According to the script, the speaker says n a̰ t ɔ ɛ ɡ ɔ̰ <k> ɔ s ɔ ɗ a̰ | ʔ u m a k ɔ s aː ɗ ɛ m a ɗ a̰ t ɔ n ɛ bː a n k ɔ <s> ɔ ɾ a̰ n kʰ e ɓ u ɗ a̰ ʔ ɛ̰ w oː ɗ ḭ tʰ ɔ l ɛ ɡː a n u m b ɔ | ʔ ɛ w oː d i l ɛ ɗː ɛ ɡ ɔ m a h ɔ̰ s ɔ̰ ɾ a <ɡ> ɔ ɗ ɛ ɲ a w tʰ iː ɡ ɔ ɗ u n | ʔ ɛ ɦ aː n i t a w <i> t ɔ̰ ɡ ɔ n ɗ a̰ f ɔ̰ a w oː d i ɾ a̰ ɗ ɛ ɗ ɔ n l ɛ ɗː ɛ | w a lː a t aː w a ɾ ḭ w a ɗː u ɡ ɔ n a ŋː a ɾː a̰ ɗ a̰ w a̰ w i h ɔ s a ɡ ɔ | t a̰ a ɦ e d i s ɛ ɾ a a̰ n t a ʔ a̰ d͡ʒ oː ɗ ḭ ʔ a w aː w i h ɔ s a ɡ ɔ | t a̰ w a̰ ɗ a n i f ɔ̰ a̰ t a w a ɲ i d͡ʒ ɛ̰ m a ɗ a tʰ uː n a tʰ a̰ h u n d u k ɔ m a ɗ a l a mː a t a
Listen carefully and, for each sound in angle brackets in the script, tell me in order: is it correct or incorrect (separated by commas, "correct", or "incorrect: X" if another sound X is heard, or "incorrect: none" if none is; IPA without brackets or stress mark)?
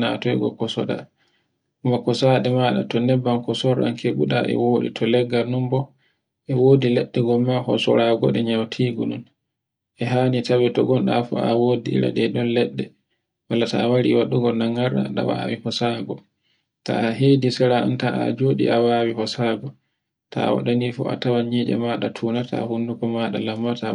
correct, correct, correct, incorrect: ɛ